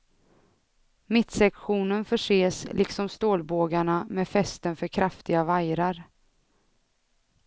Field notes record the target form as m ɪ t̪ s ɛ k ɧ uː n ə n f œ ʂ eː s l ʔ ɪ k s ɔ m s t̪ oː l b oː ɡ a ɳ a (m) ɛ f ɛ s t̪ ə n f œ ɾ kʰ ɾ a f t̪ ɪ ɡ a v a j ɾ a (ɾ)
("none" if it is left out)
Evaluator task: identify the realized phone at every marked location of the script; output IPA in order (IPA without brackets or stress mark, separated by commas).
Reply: m, ɾ